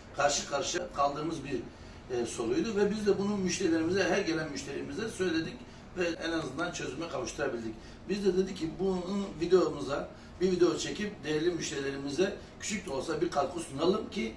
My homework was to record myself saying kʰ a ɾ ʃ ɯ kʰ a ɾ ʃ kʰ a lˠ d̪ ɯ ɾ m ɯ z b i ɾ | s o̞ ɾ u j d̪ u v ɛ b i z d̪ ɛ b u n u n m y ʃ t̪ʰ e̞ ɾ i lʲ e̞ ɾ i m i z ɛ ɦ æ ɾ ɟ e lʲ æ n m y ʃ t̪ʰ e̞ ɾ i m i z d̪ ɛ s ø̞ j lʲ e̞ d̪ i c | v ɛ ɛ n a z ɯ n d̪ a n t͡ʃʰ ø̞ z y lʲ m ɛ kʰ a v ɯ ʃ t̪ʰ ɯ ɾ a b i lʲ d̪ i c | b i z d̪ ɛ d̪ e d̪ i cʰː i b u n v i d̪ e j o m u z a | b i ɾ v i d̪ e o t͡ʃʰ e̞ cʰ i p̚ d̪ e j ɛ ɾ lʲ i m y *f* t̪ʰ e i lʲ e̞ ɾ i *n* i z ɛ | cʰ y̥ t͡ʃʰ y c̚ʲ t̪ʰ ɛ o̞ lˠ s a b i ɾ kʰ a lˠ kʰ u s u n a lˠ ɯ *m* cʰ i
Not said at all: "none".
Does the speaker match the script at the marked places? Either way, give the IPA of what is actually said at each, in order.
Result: ʃ, m, m

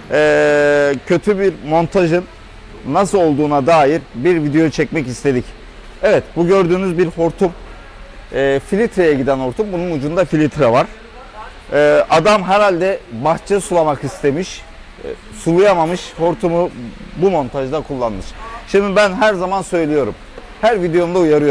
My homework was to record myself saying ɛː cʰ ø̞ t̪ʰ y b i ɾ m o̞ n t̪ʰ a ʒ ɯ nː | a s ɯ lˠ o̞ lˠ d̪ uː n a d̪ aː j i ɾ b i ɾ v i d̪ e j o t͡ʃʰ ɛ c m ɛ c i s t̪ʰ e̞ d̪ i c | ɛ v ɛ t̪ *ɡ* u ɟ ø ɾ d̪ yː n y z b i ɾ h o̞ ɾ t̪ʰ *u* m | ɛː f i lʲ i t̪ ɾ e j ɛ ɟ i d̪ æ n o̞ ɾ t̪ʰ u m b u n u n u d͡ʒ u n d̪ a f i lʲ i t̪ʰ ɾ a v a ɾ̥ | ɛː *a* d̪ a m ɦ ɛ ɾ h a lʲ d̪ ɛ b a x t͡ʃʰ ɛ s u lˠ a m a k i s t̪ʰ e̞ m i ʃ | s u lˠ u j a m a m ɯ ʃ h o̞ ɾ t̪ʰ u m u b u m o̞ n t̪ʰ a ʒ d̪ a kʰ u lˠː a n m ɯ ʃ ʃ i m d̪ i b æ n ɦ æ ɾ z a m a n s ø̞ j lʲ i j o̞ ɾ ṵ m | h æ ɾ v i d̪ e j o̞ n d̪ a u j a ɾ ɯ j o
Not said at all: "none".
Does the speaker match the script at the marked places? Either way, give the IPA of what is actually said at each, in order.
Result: b, u, a

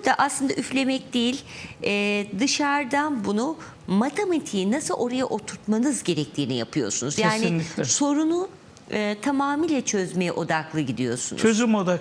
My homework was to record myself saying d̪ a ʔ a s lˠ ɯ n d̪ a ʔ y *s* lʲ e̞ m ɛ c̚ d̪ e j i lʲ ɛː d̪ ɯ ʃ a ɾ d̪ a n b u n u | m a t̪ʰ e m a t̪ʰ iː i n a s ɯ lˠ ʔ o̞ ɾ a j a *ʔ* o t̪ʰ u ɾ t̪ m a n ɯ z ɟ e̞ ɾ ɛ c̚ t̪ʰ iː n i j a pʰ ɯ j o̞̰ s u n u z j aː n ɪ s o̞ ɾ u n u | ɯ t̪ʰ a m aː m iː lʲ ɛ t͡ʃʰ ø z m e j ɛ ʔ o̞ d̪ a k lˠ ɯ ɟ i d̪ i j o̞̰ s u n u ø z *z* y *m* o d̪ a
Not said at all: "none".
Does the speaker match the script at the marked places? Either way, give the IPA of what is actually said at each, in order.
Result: f, ʔ, z, m

